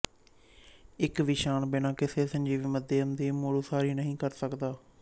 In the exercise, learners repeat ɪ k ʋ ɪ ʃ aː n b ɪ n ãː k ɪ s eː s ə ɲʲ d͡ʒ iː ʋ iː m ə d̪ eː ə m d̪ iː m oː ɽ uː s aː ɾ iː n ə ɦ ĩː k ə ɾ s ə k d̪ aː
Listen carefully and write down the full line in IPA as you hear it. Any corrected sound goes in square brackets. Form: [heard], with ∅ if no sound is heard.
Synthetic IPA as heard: ɪ k ʋ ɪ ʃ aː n b ɪ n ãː k ɪ s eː s ə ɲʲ d͡ʒ iː ʋ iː m ə d̪ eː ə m d̪ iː m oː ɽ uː s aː ɾ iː n ə ɦ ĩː k ə ɾ s ə k d̪ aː